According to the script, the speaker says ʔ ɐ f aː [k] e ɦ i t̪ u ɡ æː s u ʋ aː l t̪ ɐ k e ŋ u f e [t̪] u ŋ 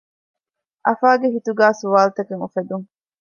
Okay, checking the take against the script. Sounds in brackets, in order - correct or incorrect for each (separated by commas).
incorrect, incorrect